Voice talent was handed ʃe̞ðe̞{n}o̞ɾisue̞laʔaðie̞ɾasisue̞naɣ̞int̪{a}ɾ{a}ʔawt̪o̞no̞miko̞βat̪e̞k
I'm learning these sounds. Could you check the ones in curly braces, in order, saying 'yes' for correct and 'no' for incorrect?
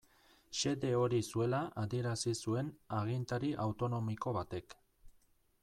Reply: no, yes, no

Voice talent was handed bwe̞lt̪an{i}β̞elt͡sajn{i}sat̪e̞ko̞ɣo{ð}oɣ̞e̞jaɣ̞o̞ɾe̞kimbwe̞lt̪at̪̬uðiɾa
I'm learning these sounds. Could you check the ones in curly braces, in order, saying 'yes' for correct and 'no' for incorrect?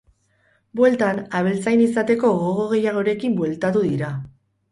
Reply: no, yes, no

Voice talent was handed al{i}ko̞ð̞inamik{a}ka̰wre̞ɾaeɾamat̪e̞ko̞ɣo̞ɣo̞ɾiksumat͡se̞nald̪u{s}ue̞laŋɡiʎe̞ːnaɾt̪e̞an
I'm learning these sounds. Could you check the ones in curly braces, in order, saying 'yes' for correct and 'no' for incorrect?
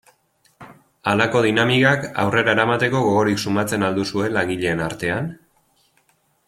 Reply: no, yes, yes

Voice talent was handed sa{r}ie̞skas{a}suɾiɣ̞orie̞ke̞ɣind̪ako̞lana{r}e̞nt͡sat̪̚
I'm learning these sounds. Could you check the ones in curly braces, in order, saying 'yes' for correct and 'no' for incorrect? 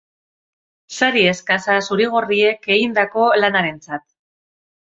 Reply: no, yes, no

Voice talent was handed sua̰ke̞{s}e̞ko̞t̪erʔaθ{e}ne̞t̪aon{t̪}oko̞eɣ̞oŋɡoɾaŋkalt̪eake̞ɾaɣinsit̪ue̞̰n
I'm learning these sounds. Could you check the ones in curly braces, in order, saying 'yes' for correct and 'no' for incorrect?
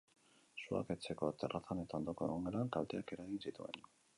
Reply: no, no, no

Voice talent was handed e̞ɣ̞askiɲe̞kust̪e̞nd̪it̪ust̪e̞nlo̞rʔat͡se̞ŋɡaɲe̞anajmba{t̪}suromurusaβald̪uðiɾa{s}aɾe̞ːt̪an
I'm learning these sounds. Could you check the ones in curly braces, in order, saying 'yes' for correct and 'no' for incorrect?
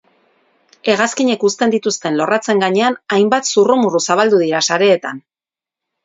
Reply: yes, yes

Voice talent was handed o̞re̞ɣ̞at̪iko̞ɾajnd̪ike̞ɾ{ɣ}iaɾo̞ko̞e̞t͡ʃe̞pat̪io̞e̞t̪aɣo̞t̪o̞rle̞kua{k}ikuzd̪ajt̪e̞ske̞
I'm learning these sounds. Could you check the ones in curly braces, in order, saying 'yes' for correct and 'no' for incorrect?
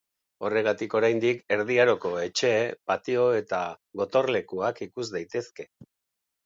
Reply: no, yes

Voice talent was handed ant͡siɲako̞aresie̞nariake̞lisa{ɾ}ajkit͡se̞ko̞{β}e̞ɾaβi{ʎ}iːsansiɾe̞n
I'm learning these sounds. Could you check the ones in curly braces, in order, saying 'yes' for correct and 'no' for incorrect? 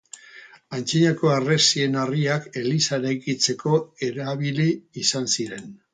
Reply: yes, no, no

